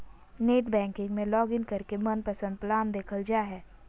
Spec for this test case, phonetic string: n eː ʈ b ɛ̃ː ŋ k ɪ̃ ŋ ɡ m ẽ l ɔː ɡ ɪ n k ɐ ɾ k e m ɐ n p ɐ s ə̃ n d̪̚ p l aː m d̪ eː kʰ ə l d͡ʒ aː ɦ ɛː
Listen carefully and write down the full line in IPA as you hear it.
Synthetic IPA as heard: n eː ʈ b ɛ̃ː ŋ k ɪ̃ ŋ ɡ m ẽ l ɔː ɡ ɪ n k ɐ ɾ k e m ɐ n p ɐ s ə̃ n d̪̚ p l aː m d̪ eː kʰ ə l d͡ʒ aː ɦ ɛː